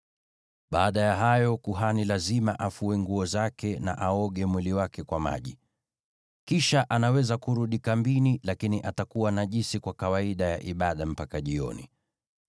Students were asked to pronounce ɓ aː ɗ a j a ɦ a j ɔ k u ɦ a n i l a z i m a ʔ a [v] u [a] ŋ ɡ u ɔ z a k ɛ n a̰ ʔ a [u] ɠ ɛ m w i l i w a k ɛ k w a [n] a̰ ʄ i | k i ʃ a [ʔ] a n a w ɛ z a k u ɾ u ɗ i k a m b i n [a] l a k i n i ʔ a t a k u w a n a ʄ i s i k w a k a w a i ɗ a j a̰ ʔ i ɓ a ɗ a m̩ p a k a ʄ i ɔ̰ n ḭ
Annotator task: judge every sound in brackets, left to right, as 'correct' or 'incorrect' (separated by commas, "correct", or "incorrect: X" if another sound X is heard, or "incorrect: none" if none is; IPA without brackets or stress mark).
incorrect: f, incorrect: ɛ, incorrect: ɔ, incorrect: m, correct, incorrect: i